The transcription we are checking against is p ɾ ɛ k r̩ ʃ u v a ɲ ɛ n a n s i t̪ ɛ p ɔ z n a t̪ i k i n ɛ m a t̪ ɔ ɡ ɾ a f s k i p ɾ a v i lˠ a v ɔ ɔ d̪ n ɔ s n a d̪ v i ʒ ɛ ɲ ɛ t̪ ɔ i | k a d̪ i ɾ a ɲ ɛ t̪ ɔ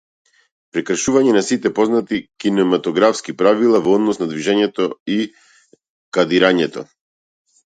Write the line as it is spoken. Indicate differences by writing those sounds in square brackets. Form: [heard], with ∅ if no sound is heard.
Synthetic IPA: p ɾ ɛ k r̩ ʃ u v a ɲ ɛ n a [∅] s i t̪ ɛ p ɔ z n a t̪ i k i n ɛ m a t̪ ɔ ɡ ɾ a f s k i p ɾ a v i lˠ a v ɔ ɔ d̪ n ɔ s n a d̪ v i ʒ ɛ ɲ ɛ t̪ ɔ i | k a d̪ i ɾ a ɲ ɛ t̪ ɔ